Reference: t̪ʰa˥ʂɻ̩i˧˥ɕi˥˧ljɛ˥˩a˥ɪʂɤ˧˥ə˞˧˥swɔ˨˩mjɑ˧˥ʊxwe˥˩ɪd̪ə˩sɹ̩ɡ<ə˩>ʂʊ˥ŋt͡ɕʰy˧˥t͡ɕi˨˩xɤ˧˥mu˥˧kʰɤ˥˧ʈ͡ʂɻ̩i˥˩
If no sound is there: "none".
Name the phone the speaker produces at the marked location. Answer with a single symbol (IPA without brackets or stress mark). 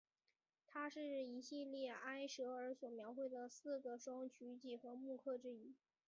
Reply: ə˩